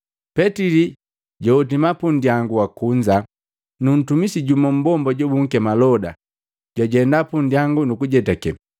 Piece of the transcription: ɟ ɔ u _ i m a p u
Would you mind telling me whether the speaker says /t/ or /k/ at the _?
t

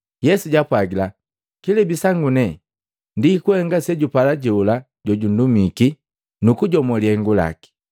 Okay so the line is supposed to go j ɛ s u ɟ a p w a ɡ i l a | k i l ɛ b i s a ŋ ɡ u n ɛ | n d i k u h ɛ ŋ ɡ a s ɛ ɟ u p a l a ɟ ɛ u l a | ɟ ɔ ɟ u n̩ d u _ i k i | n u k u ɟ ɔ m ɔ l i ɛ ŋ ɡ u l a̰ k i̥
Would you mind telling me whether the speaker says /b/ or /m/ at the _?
m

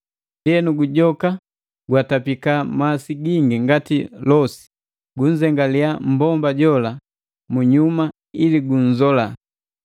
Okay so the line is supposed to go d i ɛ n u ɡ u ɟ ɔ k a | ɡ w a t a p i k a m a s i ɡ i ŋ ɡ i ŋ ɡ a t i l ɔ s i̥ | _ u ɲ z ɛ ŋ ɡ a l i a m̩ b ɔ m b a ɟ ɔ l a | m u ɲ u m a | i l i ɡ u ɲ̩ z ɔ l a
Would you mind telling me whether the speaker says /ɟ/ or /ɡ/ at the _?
ɡ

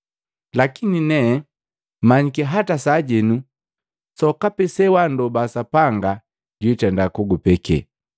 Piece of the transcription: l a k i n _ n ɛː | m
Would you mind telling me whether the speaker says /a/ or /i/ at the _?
i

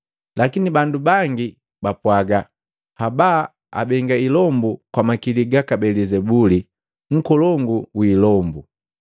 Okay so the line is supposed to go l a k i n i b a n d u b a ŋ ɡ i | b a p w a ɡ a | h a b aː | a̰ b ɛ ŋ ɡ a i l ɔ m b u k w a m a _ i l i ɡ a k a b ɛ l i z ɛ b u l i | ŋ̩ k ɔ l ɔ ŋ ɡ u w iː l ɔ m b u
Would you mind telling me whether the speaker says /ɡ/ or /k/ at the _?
k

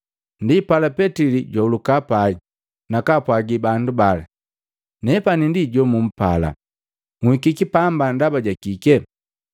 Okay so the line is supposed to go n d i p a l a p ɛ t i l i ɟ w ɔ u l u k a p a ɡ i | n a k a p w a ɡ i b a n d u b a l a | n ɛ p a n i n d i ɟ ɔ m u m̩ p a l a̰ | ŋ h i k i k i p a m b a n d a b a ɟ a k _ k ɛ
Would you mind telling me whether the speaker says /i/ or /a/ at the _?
i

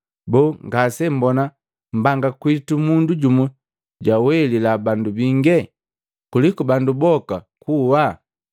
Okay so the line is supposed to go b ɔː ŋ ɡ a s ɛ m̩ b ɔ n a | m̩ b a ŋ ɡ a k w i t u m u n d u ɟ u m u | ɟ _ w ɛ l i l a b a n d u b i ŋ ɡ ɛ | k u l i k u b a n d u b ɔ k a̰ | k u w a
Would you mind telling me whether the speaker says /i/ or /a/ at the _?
a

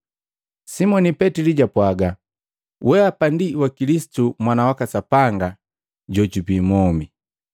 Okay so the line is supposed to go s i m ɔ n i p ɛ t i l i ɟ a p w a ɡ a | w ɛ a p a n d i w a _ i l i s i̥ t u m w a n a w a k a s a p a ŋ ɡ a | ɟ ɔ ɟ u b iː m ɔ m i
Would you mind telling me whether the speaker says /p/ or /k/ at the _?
k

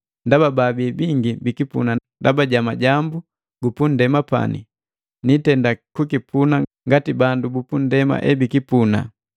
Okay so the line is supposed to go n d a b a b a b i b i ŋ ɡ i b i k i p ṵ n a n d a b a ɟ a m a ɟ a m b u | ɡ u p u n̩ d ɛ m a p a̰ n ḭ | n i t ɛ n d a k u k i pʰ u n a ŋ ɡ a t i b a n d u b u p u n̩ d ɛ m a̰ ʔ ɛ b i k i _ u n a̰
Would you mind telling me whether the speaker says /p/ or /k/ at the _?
p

